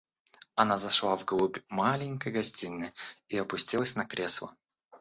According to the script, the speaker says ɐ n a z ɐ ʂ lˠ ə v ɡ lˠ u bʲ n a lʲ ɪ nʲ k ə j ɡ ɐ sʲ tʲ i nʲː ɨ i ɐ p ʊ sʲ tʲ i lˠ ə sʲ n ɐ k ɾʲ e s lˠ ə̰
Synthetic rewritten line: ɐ n a z ɐ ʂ lˠ a v ɡ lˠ u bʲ m a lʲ ɪ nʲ k ə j ɡ ɐ sʲ tʲ i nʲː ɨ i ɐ p ʊ sʲ tʲ i lˠ ə sʲ n ɐ k ɾʲ e s lˠ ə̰

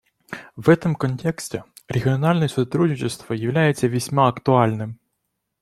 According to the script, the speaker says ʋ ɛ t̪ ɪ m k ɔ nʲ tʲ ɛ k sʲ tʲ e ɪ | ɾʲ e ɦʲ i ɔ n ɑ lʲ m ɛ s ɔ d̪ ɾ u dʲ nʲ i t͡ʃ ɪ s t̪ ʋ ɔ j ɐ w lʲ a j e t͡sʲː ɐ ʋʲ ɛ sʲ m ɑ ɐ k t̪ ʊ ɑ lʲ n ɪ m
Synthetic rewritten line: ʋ ɛ t̪ ɪ m k ɔ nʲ tʲ ɛ k sʲ tʲ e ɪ | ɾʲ e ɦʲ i ɔ n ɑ lʲ n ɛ s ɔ t̪ ɾ u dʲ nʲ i t͡ʃ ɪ s t̪ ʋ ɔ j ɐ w lʲ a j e t͡sʲː ɐ ʋʲ i sʲ m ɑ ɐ k t̪ ʊ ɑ lʲ n ɪ m

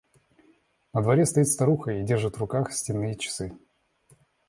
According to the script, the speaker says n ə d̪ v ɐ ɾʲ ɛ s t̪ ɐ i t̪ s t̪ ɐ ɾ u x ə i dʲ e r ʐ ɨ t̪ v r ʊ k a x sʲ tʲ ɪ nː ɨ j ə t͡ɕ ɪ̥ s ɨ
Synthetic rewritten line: n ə d̪ v ɐ ɾʲ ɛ s t̪ ɐ i t̪ s t̪ ɐ ɾ u x ə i dʲ e r ʐ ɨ t̪ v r ʊ k a x sʲ tʲ ɪ nː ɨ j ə t͡ɕ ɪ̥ s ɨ

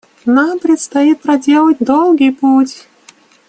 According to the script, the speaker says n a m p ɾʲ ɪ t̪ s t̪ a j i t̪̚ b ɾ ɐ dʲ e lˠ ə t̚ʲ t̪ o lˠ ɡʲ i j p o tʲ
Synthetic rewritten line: n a m p ɾʲ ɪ t̪ s t̪ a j i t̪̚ p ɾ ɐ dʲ e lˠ ə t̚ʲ d̪ o lˠ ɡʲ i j p u tʲ

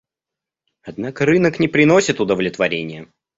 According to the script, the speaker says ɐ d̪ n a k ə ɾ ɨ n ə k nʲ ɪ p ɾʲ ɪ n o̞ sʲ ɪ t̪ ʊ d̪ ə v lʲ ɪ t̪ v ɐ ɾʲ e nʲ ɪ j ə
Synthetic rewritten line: ɐ d̪ n a k ə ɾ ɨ n ə k nʲ ɪ p ɾʲ ɪ n o̞ sʲ ɪ t̪ ʊ d̪ ə v lʲ ɪ t̪ v ɐ ɾʲ e nʲ ɪ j ə

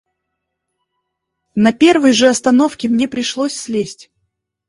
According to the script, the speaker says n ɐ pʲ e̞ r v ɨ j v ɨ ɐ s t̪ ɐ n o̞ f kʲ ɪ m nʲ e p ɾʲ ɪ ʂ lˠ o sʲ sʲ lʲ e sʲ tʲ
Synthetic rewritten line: n ɐ pʲ e̞ r v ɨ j ʐ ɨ ɐ s t̪ ɐ n o̞ f kʲ ɪ m nʲ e p ɾʲ ɪ ʂ lˠ o sʲ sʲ lʲ e sʲ tʲ

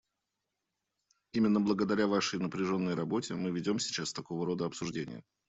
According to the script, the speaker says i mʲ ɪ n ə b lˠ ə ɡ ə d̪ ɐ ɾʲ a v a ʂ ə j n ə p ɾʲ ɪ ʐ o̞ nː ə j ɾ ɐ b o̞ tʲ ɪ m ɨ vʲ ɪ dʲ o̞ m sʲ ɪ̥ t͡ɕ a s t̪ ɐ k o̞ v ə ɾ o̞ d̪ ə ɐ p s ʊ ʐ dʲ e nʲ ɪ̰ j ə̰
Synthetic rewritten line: i mʲ ɪ nː ə b lˠ ə ɡ ə d̪ ɐ ɾʲ a v a ʂ ə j n ə p ɾʲ ɪ ʐ o̞ nː ə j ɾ ɐ b o̞ tʲ ɪ m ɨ vʲ ɪ dʲ o̞ m sʲ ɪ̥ t͡ɕ a s t̪ ɐ k o̞ v ə ɾ o̞ d̪ ə ɐ p s ʊ ʐ dʲ e nʲ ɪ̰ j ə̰

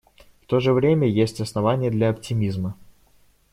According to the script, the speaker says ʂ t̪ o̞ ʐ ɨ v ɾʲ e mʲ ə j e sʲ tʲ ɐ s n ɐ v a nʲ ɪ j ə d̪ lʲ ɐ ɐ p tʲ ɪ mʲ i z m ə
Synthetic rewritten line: f t̪ o̞ ʐ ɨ v ɾʲ e mʲ ə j e sʲ tʲ ɐ s n ɐ v a nʲ ɪ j ə d̪ lʲ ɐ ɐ p tʲ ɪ mʲ i z m ə

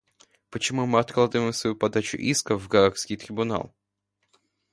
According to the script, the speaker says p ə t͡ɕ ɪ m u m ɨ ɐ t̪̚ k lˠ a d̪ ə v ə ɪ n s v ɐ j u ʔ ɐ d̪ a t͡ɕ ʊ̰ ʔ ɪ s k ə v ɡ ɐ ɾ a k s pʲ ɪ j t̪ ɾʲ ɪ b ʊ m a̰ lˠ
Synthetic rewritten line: p ə t͡ɕ ɪ m u m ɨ ɐ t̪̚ k lˠ a d̪ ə v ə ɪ m s v ɐ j u p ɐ d̪ a t͡ɕ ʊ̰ ʔ i s k ə v ɡ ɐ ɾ a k s kʲ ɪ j t̪ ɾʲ ɪ b ʊ n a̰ lˠ

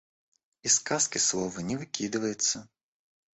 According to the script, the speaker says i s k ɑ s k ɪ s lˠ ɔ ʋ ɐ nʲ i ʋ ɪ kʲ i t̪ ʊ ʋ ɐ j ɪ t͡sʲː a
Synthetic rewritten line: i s k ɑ s k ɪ s lˠ ɔ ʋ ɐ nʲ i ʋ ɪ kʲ i d̪ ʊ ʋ ɐ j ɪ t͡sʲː ɐ

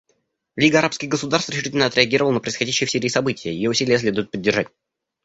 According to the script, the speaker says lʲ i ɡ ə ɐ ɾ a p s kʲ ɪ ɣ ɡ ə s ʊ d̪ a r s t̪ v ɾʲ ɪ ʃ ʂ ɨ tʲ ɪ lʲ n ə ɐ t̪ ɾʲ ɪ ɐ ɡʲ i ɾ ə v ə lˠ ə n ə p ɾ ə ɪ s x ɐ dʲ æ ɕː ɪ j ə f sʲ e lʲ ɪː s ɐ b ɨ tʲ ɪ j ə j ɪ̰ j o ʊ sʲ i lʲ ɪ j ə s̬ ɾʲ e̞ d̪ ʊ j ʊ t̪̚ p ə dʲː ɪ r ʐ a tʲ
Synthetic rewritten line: lʲ i ɡ ə ɐ ɾ a p s kʲ ɪ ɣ ɡ ə s ʊ d̪ a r s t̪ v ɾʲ ɪ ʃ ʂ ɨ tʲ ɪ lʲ n ə ɐ t̪ ɾʲ ɪ ɐ ɡʲ i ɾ ə v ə lˠ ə n ə p ɾ ə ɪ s x ɐ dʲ æ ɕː ɪ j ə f sʲ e ɾʲ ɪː s ɐ b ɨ tʲ ɪ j ə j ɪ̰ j o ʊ sʲ i lʲ ɪ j ə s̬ lʲ e̞ d̪ ʊ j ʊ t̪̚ p ə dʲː ɪ r ʐ a tʲ

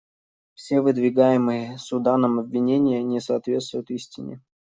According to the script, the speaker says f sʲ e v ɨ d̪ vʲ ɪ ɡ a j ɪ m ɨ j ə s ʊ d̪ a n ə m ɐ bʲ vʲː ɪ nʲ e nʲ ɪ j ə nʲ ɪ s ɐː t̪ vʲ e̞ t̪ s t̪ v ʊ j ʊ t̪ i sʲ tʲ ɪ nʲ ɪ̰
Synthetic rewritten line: f sʲ e v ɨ d̪ vʲ ɪ ɡ a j ɪ m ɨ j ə s ʊ d̪ a n ə m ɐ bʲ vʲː ɪ nʲ e nʲ ɪ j ə nʲ ɪ s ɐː t̪ vʲ e̞ t̪ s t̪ v ʊ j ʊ t̪ i sʲ tʲ ɪ nʲ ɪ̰

